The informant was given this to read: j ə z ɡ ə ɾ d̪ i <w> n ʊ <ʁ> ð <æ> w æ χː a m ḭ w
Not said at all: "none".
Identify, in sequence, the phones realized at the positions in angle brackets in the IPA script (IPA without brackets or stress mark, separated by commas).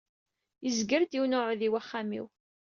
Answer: w, ʕ, i